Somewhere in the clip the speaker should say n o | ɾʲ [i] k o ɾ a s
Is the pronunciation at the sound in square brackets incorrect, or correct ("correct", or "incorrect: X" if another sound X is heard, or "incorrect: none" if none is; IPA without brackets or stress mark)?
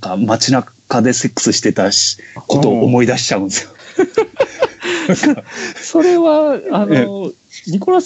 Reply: correct